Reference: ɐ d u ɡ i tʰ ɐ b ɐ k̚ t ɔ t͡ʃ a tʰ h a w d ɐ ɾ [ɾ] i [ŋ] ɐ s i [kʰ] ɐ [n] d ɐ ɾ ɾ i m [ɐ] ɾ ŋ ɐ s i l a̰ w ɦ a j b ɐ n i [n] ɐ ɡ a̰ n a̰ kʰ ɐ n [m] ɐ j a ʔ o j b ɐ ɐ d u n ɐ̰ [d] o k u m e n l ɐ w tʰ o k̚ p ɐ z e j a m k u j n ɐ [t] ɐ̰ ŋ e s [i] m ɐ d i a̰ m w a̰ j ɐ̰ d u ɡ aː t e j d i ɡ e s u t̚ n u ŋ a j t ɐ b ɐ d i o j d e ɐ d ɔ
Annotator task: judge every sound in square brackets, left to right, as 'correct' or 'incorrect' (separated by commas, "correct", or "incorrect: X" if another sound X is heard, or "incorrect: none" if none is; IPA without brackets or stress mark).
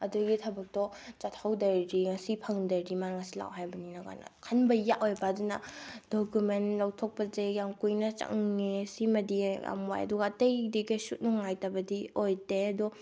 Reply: correct, correct, incorrect: pʰ, incorrect: ŋ, incorrect: a, correct, incorrect: b, correct, incorrect: t͡ʃ, correct